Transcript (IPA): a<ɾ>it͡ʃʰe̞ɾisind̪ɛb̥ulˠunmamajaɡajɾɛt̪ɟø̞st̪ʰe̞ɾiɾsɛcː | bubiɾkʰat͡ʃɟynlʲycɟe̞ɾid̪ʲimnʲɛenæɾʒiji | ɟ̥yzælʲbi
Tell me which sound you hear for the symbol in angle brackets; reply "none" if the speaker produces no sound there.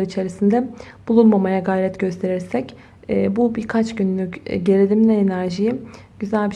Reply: ɾ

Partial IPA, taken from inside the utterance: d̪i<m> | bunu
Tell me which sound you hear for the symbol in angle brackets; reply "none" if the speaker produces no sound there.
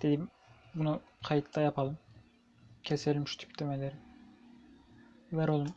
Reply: m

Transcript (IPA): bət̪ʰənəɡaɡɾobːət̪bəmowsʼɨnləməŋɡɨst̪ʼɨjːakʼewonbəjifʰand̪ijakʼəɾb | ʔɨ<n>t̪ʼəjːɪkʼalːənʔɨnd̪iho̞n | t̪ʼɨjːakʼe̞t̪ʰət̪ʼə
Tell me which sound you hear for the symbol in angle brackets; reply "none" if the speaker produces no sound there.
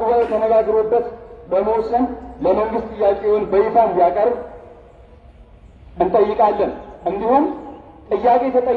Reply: n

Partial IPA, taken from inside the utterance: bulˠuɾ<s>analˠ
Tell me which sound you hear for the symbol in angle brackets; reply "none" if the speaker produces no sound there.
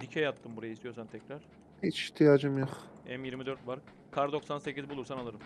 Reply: s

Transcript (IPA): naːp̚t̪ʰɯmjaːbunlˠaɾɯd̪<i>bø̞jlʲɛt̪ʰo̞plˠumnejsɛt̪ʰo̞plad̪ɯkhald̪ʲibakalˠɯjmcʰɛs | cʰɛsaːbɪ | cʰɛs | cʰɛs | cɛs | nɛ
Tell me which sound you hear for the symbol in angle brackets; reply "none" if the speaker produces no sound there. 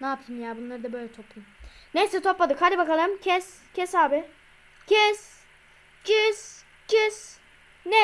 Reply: a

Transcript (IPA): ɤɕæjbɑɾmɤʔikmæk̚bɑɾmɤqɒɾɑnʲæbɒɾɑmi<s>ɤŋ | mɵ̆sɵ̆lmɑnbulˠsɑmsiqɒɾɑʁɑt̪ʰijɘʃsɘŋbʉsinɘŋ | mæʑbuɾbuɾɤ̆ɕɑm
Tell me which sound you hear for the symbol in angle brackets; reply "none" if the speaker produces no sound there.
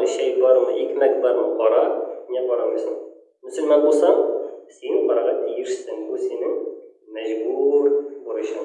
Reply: s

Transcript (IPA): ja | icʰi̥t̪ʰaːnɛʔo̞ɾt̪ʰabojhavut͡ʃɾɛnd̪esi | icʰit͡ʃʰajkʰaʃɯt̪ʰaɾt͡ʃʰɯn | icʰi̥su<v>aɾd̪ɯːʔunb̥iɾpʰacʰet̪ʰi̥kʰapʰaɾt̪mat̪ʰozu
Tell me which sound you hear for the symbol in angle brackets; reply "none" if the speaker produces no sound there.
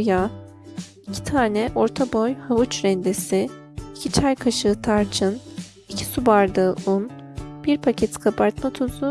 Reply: b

